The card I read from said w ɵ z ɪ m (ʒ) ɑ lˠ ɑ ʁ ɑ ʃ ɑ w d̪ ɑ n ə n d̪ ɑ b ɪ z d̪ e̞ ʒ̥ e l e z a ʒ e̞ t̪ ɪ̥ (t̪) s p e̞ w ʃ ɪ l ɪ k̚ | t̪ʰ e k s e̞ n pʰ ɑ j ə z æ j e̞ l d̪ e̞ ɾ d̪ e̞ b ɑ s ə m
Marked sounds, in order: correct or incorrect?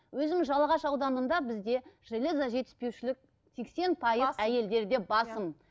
correct, incorrect: none

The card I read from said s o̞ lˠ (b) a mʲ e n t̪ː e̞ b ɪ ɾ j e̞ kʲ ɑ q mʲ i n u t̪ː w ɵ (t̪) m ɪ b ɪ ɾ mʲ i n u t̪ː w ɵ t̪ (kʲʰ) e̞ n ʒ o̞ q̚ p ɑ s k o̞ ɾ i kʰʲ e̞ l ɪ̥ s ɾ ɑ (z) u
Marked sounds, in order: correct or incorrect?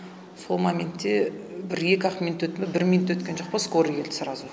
incorrect: m, correct, incorrect: kʲ, correct

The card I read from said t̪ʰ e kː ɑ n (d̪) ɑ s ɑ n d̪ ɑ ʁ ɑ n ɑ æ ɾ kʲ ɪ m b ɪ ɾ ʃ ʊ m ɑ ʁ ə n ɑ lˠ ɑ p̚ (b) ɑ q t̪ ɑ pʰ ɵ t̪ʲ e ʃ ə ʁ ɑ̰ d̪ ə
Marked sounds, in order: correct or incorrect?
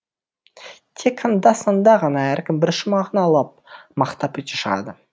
correct, incorrect: m

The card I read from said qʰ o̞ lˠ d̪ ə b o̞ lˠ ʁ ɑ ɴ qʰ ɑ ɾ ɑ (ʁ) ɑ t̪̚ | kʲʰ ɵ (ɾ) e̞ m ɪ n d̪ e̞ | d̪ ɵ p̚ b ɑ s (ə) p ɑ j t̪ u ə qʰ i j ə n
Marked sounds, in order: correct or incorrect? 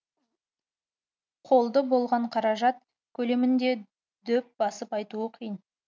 incorrect: ʒ, incorrect: l, correct

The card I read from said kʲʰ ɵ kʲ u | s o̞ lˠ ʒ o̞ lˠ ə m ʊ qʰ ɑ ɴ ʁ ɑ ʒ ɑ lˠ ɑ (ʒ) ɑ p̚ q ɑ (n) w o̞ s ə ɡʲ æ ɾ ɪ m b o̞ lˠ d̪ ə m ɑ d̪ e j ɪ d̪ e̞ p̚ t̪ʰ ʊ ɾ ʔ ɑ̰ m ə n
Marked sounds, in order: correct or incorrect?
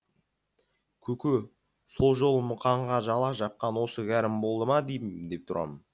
correct, correct

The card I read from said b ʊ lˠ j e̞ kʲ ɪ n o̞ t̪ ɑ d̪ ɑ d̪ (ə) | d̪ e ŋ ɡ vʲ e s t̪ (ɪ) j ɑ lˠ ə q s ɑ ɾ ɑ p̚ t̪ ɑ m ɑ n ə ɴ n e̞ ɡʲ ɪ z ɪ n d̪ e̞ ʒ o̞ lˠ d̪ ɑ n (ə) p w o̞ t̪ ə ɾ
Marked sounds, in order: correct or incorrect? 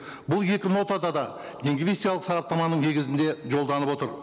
incorrect: ɑ, incorrect: i, correct

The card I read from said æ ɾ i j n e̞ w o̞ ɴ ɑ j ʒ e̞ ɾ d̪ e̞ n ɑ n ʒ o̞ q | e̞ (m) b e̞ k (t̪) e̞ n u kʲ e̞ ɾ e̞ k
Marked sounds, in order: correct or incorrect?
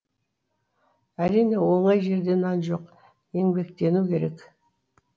incorrect: ŋ, correct

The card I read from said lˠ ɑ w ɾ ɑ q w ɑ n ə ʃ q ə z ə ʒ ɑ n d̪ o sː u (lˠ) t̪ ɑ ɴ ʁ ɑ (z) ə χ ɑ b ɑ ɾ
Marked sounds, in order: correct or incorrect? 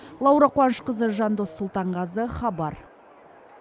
correct, correct

